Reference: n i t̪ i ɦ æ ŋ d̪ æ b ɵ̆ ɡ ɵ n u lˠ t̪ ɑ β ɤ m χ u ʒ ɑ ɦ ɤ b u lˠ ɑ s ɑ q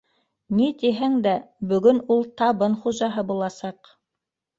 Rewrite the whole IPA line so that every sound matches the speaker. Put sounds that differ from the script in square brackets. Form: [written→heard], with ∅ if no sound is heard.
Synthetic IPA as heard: n i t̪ i ɦ æ ŋ d̪ æ b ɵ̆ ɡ ɵ n u lˠ t̪ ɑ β ɤ [m→n] χ u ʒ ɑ ɦ ɤ b u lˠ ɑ s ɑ q